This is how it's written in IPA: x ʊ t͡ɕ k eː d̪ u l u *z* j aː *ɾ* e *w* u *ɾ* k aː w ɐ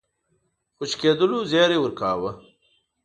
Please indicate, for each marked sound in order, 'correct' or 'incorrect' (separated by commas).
correct, correct, correct, correct